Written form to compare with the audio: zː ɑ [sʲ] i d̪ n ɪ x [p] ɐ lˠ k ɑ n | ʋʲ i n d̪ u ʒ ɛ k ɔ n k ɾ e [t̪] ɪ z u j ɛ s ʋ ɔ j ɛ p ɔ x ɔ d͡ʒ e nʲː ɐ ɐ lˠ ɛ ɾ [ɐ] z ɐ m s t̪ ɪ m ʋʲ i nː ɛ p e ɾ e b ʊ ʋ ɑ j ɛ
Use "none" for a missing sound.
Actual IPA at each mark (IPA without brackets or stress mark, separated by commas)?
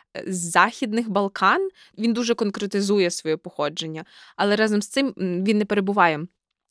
xʲ, b, t̪, ɑ